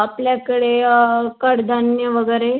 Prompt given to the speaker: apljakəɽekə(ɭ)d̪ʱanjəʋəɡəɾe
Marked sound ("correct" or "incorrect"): incorrect